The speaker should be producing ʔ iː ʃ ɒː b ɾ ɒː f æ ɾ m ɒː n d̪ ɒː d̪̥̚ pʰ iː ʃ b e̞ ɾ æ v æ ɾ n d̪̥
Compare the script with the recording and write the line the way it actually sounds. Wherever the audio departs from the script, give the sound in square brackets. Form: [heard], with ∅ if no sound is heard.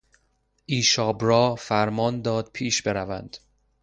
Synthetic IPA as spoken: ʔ iː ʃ ɒː b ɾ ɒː f æ ɾ m ɒː n d̪ ɒː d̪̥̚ pʰ iː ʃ b e̞ ɾ æ v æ [∅] n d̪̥